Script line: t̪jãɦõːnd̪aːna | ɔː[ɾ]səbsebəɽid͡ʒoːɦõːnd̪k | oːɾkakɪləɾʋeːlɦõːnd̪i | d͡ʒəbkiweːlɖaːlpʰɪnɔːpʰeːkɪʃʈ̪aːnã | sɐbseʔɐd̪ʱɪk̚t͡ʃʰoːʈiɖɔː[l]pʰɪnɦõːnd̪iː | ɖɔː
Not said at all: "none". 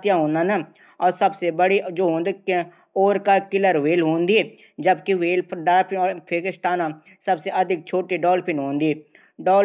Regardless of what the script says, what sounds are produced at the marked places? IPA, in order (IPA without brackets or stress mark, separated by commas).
ɾ, l